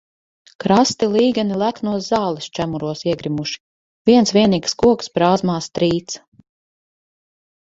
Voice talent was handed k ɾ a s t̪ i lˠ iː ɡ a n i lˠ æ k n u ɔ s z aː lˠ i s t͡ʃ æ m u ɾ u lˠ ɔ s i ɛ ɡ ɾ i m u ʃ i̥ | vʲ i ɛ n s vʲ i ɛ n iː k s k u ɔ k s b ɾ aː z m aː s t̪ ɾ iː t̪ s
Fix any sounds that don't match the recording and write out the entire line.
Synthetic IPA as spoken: k ɾ a s t̪ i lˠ iː ɡ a n i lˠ æ k n u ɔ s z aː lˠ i s t͡ʃ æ m u ɾ u ɔ s i ɛ ɡ ɾ i m u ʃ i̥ | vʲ i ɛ n s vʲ i ɛ n iː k s k u ɔ k s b ɾ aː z m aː s t̪ ɾ iː t̪ s